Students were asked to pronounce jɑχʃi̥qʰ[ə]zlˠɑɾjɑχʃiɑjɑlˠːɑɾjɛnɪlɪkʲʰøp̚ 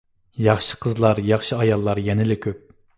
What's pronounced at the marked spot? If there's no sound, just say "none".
ə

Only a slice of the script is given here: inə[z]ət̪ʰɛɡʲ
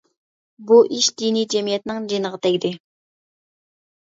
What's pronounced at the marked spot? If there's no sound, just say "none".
ʁ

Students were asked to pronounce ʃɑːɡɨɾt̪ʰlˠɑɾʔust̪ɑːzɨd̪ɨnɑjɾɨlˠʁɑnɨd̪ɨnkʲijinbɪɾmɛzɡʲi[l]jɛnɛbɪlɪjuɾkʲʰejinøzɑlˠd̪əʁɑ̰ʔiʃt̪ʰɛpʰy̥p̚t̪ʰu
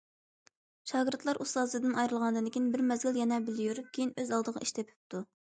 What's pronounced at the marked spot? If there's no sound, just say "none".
l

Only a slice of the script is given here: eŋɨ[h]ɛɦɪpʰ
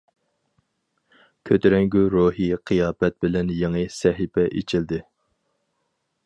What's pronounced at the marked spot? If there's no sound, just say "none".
s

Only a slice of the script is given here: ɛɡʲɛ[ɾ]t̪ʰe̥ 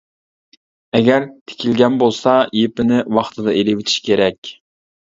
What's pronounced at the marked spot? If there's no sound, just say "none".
ɾ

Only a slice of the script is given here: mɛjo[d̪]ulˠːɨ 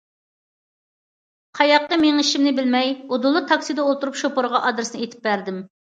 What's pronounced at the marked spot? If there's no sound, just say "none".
d̪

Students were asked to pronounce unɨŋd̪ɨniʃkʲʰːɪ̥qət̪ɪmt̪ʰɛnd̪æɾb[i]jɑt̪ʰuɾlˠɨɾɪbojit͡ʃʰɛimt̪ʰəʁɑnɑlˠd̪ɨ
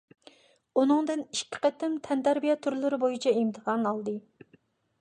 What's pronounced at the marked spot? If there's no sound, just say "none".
i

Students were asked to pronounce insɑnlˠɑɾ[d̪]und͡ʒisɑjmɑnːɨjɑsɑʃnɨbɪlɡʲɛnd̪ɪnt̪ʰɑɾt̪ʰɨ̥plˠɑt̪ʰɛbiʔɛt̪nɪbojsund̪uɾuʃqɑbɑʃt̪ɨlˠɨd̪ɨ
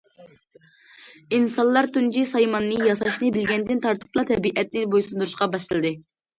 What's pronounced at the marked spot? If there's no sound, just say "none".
t̪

